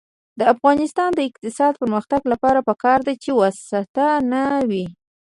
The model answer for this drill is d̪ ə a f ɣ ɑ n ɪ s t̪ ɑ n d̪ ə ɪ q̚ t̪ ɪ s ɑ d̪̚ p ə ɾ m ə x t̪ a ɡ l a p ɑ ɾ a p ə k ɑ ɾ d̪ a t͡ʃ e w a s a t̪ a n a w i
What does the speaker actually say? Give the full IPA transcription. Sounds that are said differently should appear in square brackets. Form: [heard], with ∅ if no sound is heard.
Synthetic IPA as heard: d̪ ə a f ɣ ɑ n ɪ s t̪ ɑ n d̪ ə ɪ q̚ t̪ ɪ s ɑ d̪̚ p ə ɾ m ə x t̪ a ɡ l a p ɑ ɾ a p ə k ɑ ɾ d̪ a t͡ʃ e w a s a t̪ a n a w i